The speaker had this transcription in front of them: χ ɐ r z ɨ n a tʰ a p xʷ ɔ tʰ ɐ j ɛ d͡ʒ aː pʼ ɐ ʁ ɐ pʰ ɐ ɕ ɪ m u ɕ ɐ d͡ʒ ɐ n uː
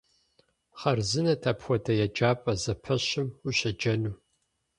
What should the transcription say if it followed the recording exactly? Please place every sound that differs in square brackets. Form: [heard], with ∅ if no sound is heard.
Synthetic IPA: χ ɐ r z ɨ n [ɐ] tʰ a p xʷ ɔ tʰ ɐ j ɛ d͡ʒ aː pʼ ɐ [z] ɐ pʰ ɐ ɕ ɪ m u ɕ ɐ d͡ʒ ɐ n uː